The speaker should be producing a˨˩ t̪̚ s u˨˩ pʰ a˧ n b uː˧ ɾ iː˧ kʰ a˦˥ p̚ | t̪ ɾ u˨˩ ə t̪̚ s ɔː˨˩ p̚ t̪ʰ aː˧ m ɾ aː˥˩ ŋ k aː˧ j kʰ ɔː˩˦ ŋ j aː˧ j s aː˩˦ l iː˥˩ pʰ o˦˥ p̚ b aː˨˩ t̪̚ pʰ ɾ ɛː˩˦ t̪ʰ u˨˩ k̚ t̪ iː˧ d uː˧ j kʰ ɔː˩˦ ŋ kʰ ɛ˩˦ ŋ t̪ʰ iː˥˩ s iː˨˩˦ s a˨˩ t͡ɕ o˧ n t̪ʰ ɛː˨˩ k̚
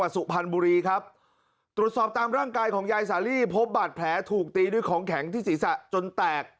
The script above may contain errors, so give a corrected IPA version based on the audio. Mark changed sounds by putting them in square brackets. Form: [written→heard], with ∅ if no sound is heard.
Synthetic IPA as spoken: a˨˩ t̪̚ s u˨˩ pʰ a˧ n b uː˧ ɾ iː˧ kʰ a˦˥ p̚ | t̪ ɾ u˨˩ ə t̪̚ s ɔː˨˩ p̚ [t̪ʰ→t̪] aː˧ m ɾ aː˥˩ ŋ k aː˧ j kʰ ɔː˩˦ ŋ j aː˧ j s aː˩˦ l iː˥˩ pʰ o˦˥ p̚ b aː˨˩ t̪̚ pʰ [ɾ→l] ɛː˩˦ t̪ʰ [u˨˩→uː˨˩] k̚ t̪ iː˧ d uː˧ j kʰ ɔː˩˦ ŋ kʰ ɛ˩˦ ŋ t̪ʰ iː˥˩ s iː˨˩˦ s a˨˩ t͡ɕ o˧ n [t̪ʰ→t̪] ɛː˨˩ k̚